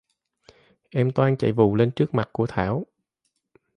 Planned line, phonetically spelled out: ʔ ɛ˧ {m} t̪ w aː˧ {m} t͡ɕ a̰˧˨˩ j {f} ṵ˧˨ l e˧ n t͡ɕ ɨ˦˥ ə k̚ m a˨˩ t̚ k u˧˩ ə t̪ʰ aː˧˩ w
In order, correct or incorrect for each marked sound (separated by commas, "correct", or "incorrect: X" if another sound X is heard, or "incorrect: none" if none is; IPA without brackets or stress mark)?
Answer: correct, incorrect: n, incorrect: v